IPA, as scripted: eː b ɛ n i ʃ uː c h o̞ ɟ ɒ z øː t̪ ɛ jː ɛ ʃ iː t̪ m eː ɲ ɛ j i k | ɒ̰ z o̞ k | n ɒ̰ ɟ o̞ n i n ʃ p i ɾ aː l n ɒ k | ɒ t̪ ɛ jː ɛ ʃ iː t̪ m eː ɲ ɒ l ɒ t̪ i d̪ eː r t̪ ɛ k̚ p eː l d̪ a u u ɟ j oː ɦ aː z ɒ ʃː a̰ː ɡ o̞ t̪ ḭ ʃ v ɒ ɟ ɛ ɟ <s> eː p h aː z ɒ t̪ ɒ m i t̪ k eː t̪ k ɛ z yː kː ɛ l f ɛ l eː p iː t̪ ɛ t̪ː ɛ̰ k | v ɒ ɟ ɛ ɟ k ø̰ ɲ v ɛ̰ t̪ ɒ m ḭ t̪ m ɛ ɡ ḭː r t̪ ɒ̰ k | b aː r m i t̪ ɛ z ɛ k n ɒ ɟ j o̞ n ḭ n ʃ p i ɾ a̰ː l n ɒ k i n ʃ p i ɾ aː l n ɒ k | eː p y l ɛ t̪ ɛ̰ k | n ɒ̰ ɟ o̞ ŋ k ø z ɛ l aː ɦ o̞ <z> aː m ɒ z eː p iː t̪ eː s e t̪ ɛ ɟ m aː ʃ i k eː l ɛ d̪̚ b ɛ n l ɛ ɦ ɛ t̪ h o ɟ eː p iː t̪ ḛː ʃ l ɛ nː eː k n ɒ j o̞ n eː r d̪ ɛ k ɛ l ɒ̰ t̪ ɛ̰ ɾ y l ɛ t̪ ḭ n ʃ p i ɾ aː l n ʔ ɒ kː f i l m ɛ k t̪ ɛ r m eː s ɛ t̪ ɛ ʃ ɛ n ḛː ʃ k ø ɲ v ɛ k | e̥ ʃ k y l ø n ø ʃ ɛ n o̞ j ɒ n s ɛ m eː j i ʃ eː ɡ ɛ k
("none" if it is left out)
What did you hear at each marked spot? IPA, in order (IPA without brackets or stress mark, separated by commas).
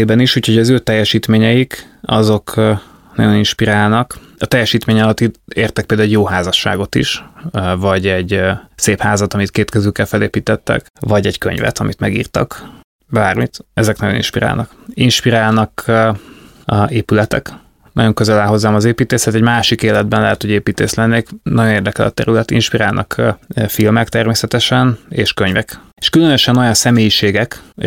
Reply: s, zː